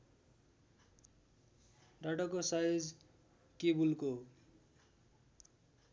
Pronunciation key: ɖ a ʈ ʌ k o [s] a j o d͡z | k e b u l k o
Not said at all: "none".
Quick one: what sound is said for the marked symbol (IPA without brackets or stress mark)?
s